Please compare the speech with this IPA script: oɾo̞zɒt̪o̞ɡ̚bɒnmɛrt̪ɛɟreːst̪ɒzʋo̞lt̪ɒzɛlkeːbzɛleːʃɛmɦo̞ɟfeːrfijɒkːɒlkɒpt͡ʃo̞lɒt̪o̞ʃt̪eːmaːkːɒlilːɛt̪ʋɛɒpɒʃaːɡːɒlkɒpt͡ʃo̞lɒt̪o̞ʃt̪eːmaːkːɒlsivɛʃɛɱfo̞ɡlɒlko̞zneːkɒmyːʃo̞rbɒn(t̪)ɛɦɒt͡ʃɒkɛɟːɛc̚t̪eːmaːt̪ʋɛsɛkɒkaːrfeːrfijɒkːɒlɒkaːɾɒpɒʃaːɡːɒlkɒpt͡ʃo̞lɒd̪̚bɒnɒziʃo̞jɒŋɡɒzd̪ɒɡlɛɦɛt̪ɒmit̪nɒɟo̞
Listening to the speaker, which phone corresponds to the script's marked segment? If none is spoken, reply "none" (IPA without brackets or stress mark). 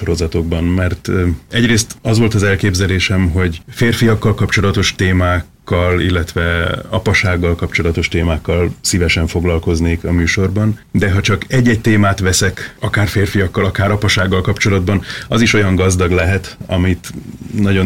d̪